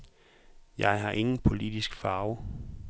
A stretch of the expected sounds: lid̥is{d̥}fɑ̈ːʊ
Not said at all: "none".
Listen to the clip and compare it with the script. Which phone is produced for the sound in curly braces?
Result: ɡ̥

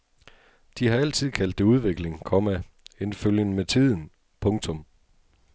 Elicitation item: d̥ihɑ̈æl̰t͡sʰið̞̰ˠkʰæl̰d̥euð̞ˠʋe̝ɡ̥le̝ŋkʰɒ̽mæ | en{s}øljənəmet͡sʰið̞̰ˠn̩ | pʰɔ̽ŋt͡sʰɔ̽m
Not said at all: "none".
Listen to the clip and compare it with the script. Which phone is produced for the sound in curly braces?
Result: f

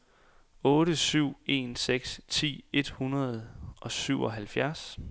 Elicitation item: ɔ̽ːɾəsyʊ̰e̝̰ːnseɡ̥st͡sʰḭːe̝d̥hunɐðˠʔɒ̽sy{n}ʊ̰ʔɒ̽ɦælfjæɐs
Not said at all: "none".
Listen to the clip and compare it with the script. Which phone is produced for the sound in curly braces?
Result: none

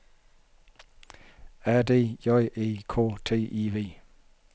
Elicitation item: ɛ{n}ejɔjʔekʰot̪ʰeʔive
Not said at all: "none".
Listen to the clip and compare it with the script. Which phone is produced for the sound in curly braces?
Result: d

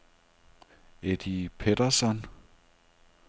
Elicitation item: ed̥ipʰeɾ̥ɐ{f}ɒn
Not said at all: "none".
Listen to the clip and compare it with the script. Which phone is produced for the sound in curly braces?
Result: s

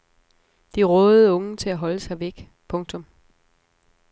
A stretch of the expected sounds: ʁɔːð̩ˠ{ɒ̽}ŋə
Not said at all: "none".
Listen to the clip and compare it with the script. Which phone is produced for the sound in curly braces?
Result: ɔ̽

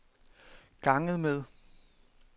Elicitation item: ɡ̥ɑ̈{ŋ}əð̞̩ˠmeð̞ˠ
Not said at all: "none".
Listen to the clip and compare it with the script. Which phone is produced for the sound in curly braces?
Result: ŋ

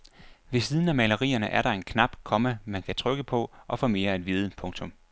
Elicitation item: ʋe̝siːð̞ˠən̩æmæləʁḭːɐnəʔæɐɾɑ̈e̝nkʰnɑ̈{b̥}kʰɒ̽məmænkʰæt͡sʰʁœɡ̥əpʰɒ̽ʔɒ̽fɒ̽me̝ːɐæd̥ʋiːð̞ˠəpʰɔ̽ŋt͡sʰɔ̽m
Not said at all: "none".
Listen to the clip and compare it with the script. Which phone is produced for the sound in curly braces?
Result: b̥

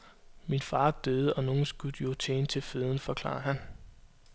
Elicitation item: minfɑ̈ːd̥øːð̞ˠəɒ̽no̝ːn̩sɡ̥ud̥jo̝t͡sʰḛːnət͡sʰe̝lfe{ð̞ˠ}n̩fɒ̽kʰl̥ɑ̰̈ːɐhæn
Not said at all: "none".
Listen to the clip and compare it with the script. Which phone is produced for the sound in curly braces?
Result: ð̞ˠ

